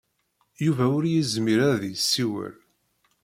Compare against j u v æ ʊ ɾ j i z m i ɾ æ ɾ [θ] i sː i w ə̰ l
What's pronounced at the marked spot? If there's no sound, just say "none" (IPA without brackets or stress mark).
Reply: ð